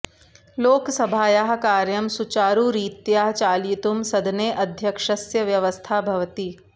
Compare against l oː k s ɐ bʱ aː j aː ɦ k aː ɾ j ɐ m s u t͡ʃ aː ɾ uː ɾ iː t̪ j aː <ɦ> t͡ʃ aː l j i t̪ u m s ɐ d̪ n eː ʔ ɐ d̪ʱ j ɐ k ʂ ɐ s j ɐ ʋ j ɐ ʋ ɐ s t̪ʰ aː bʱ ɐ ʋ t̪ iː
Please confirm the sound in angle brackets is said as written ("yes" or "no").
yes